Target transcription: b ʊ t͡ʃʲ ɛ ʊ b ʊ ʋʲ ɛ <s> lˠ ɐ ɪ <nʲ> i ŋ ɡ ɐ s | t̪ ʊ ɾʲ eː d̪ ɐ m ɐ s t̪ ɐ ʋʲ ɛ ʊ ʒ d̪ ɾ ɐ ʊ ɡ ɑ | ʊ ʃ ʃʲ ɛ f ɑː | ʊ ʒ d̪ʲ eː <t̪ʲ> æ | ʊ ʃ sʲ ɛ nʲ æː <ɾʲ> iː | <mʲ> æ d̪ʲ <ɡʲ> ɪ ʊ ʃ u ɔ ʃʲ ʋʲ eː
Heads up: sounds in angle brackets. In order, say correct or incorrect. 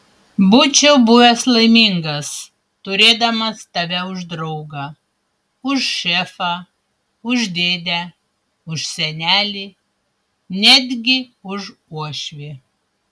correct, incorrect: mʲ, incorrect: d̪ʲ, incorrect: lʲ, incorrect: nʲ, correct

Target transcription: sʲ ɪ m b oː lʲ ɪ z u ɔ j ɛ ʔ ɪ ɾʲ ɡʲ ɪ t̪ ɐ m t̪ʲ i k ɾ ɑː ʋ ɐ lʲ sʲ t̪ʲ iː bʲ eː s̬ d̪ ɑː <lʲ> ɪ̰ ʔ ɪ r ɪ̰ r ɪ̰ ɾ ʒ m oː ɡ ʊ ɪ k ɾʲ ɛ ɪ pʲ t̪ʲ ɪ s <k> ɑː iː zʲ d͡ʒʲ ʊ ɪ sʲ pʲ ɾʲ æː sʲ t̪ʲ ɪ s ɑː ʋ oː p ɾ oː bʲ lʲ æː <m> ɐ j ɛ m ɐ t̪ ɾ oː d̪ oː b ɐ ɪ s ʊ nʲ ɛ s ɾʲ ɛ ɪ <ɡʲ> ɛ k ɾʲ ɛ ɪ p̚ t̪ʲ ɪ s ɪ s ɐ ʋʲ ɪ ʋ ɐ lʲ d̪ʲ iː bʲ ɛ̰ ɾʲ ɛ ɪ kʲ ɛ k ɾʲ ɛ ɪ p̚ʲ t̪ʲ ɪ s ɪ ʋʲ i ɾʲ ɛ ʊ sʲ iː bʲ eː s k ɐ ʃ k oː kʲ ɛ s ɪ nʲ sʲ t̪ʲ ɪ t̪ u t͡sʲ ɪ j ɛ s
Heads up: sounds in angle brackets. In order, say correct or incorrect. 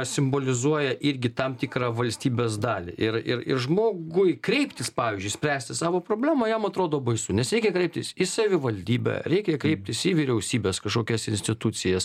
correct, incorrect: p, correct, incorrect: kʲ

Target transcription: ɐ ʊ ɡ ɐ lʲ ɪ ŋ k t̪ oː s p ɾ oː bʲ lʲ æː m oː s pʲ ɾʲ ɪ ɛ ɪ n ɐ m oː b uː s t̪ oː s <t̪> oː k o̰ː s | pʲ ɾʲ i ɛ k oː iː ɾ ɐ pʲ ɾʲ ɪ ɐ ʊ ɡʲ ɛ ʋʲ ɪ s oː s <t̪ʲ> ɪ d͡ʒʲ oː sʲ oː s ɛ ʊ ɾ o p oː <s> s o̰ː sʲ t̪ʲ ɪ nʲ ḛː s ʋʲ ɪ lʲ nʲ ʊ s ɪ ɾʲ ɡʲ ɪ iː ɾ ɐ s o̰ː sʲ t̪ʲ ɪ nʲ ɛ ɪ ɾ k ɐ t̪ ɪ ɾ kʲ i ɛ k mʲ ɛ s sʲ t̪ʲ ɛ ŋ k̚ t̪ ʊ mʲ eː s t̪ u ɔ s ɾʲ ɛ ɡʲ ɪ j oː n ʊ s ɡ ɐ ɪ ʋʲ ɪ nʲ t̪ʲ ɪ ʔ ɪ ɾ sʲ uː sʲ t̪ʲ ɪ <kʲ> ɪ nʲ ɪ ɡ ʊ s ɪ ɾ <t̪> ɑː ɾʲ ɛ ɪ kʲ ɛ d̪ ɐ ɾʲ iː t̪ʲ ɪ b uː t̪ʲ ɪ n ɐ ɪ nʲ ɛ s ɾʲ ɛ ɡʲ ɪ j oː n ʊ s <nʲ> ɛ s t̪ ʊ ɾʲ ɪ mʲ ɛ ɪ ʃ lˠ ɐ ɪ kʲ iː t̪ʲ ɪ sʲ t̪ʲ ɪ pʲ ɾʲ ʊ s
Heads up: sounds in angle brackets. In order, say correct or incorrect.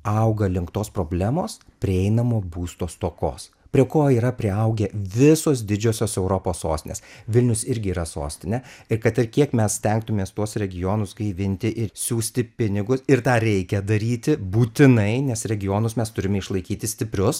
correct, incorrect: d̪ʲ, correct, incorrect: pʲ, correct, incorrect: mʲ

